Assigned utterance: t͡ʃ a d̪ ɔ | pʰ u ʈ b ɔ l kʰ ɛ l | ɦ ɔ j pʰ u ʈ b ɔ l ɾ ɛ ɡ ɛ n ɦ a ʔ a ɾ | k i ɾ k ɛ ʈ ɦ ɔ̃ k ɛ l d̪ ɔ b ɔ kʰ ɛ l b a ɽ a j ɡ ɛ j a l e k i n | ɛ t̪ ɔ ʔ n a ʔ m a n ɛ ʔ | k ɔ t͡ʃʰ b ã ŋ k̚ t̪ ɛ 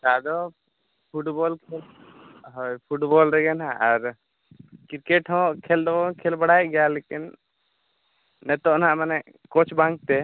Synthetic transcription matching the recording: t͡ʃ a d̪ ɔ | pʰ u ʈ b ɔ l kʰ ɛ l | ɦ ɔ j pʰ u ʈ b ɔ l ɾ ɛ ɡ ɛ n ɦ a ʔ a ɾ | k i ɾ k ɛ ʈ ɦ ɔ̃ kʰ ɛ l d̪ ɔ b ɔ kʰ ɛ l b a ɽ a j ɡ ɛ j a l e k i n | ɛ t̪ ɔ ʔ n a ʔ m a n ɛ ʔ | k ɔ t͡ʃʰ b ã ŋ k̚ t̪ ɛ